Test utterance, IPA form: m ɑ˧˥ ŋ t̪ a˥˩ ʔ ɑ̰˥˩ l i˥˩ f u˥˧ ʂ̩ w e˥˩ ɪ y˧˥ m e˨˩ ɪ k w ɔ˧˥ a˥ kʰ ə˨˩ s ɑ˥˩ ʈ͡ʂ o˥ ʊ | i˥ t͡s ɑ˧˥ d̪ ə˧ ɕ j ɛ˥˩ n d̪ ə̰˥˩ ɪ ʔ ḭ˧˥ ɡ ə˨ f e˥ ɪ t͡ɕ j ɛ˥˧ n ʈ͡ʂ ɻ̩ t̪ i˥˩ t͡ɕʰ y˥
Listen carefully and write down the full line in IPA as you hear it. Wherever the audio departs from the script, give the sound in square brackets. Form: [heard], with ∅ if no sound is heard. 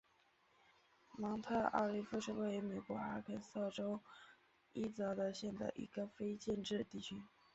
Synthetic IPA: m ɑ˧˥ ŋ [t̪ʰ] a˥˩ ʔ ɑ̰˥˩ l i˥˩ f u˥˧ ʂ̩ w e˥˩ ɪ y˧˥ m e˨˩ ɪ k w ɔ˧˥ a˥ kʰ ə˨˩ s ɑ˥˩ ʈ͡ʂ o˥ ʊ | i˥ t͡s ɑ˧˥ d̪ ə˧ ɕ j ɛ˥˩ n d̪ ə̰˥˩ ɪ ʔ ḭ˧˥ ɡ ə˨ f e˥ ɪ t͡ɕ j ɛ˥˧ n ʈ͡ʂ ɻ̩ t̪ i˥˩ t͡ɕʰ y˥